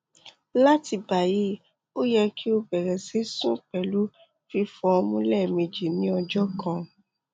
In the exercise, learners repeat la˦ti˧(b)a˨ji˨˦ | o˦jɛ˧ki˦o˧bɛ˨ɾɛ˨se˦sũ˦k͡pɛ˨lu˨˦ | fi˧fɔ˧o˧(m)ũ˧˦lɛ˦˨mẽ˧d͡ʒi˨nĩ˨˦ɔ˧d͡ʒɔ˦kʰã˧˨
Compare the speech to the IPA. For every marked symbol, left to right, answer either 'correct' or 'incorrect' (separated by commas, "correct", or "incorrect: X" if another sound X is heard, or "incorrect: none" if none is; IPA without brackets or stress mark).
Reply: correct, correct